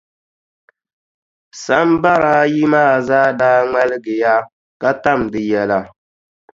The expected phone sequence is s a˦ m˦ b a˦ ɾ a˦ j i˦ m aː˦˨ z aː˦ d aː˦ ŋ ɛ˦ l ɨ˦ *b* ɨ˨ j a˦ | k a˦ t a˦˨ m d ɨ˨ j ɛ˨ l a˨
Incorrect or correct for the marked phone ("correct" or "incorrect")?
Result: incorrect